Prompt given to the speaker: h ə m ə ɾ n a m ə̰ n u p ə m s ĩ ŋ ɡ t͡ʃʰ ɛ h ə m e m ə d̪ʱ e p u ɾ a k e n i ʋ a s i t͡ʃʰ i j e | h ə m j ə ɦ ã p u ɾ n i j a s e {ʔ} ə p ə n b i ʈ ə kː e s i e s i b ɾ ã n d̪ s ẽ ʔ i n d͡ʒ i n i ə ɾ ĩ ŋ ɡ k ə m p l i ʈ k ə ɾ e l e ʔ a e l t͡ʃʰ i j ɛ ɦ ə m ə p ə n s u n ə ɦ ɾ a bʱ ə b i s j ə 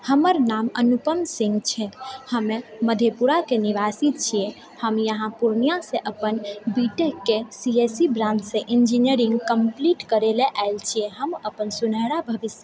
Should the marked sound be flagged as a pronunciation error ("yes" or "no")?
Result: no